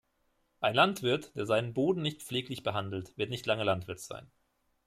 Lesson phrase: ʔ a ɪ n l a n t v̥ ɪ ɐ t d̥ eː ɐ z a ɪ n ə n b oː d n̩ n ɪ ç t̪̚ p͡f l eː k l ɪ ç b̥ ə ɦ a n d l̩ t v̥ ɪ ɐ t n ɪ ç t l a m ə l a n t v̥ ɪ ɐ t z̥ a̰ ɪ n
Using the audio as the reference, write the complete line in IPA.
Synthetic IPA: ʔ a ɪ n l a n t v̥ ɪ ɐ t d̥ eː ɐ z a ɪ n ə n b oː d n̩ n ɪ ç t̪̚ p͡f l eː k l ɪ ç b̥ ə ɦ a n d l̩ t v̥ ɪ ɐ t n ɪ ç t l a ŋ ə l a n t v̥ ɪ ɐ t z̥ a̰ ɪ n